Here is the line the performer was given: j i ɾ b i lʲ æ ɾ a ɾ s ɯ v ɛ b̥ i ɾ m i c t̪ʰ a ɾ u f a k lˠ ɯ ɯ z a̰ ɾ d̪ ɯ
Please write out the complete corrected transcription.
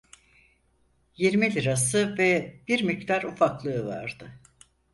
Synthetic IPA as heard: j i ɾ m i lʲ i ɾ a s ɯ v ɛ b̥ i ɾ m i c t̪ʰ a ɾ u f a k lˠ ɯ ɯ v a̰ ɾ d̪ ɯ